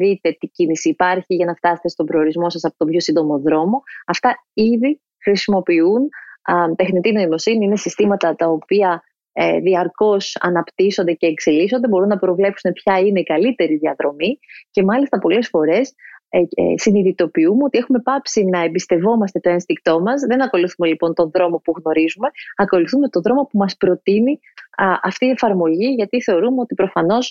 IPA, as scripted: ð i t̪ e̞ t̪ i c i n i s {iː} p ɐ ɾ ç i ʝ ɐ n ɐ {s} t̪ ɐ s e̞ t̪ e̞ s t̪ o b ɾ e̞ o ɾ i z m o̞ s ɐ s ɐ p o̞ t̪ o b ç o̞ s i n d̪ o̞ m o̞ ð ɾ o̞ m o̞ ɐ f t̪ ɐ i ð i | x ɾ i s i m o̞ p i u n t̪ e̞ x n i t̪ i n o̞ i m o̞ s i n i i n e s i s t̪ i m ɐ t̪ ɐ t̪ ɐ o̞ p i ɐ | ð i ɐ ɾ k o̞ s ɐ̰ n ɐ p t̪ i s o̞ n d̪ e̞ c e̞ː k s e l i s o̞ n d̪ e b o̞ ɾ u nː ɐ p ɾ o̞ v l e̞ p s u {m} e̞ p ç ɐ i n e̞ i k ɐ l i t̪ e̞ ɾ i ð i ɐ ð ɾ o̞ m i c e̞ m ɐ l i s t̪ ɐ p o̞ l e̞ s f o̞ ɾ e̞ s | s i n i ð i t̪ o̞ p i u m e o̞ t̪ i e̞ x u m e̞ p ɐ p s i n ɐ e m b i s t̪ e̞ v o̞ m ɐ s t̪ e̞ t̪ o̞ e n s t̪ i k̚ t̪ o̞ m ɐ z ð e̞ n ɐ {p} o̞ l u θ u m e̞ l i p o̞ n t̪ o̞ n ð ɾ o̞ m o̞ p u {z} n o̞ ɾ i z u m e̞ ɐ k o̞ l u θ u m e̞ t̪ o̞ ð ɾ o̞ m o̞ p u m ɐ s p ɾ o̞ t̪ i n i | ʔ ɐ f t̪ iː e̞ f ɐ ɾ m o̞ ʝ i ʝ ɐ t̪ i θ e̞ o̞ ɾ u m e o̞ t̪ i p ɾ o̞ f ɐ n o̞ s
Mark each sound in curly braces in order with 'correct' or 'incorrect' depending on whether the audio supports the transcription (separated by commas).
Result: correct, incorrect, incorrect, incorrect, incorrect